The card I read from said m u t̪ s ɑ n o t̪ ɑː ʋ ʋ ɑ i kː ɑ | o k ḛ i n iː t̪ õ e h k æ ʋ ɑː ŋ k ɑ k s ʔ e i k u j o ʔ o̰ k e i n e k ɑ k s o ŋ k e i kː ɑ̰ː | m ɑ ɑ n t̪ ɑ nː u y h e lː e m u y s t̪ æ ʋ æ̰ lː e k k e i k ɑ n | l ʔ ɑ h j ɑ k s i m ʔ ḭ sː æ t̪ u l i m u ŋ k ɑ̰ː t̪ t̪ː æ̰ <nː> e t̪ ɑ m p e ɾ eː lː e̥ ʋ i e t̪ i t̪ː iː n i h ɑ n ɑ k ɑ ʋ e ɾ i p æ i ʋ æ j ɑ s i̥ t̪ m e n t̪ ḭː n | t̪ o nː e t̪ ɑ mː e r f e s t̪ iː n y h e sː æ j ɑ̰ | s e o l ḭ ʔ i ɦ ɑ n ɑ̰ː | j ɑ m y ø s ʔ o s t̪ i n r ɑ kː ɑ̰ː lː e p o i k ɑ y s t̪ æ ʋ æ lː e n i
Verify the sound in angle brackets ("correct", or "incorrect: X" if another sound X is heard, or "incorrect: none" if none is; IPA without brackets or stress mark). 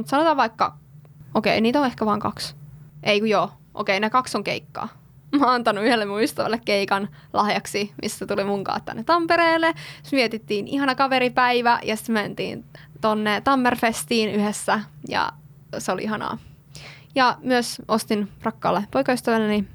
correct